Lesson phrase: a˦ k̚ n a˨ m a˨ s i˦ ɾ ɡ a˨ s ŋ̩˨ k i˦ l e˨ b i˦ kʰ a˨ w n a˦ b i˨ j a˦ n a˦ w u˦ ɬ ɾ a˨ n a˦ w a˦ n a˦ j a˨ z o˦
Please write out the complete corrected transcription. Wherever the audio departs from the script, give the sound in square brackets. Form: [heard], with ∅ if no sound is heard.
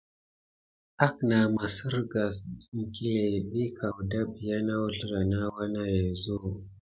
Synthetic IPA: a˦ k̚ n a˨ m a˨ s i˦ ɾ ɡ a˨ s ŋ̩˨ k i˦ l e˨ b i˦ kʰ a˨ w [d] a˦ b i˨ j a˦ n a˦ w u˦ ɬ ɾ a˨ n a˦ w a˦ n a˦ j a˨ z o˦